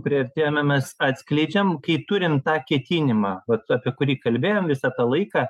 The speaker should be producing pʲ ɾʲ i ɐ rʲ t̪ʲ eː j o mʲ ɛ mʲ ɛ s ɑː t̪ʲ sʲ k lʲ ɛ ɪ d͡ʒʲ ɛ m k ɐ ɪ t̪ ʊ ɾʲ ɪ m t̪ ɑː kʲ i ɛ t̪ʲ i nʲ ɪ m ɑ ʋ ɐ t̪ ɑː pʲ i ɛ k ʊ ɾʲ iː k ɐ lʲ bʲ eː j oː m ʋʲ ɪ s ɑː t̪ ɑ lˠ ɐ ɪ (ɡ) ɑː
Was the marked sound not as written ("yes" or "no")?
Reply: yes